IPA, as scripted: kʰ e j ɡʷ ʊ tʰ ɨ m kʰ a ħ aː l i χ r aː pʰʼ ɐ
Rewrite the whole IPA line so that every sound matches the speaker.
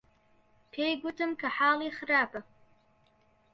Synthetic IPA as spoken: pʰ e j ɡʷ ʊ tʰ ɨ m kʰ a ħ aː l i χ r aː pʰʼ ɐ